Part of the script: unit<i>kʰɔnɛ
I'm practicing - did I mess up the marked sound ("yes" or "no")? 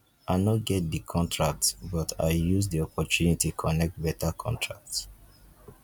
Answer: no